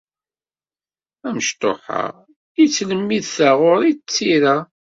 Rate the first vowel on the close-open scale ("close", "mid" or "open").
open